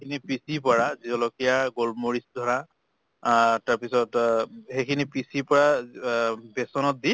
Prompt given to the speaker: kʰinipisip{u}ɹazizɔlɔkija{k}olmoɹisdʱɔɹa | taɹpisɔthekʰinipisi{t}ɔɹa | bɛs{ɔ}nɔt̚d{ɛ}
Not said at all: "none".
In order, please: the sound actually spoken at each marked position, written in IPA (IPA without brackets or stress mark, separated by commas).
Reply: ɔ, ɡ, p, ɔ, i